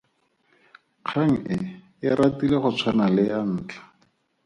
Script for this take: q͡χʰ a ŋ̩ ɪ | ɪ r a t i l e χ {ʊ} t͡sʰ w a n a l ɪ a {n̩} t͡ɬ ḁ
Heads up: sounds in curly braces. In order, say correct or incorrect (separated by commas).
correct, incorrect